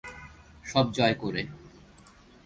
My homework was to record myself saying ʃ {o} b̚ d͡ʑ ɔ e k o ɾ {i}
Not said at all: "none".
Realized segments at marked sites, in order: ɔ, e

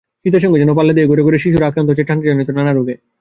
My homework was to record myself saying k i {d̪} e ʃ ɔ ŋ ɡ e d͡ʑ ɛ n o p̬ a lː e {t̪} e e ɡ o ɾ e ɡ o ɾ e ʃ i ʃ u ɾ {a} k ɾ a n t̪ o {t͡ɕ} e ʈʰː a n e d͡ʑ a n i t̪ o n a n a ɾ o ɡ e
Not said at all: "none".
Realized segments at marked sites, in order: t̪, d̪, a, t͡ɕ

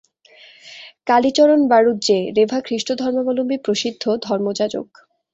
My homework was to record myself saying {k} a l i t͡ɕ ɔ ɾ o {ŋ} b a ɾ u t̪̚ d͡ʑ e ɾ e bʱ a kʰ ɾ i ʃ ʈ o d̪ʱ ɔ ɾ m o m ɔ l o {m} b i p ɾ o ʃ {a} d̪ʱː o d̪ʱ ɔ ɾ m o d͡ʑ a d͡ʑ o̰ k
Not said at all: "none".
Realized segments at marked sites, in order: k, n, m, i

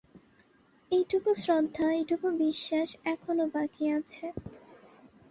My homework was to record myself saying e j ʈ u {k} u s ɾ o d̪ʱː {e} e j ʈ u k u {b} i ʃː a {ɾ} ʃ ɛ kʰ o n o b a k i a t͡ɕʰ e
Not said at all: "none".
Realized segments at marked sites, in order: k, a, b, none

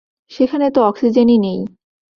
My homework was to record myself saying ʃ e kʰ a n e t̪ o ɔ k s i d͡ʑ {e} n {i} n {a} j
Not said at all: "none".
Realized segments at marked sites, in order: e, i, e

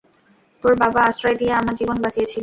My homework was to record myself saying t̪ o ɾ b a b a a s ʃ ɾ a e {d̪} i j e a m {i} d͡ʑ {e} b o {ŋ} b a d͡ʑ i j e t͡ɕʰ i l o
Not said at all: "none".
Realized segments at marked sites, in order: d̪, a, i, n

